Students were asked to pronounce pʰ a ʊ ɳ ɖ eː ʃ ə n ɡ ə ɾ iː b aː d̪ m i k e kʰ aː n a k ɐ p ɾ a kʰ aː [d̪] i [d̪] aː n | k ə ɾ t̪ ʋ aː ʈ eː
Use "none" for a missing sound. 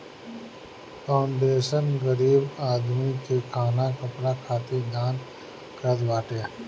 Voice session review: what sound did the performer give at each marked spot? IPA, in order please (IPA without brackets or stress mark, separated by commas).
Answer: t̪, d̪